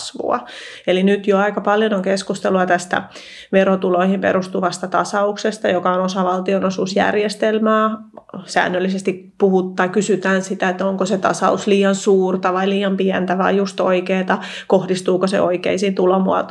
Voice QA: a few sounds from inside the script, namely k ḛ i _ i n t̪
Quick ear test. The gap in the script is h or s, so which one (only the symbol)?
s